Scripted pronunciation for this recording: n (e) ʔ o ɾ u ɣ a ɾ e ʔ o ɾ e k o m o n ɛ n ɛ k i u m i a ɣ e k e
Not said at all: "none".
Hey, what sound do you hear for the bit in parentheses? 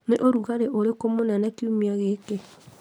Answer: e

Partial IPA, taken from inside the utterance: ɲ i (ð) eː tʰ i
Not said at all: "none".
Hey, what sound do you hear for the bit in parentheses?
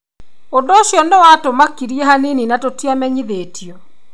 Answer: ð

